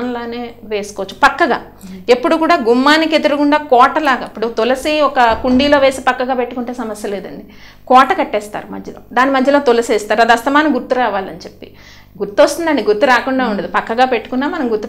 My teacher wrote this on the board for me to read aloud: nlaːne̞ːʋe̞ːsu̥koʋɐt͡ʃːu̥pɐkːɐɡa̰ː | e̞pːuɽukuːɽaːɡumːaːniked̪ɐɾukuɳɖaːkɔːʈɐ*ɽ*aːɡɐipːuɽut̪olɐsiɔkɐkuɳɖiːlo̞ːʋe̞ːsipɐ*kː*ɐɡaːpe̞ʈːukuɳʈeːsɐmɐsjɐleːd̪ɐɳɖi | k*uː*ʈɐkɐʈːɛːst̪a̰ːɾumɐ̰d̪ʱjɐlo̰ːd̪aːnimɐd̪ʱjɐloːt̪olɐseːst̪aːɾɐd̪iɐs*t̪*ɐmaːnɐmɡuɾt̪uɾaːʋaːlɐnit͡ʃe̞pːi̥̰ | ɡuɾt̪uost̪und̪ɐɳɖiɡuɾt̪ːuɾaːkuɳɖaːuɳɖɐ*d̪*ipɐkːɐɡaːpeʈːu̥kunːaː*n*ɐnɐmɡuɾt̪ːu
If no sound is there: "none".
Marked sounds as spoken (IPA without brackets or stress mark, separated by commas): l, kː, ɔː, t̪, d̪, m